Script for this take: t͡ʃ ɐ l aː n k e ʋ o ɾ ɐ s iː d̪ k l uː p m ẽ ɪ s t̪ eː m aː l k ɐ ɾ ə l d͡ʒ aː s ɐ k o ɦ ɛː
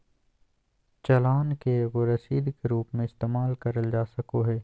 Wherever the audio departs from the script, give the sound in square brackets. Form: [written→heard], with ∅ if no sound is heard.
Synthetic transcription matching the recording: t͡ʃ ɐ l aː n k e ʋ o ɾ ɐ s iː d̪ k [l→ɾ] uː p m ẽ ɪ s t̪ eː m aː l k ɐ ɾ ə l d͡ʒ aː s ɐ k o ɦ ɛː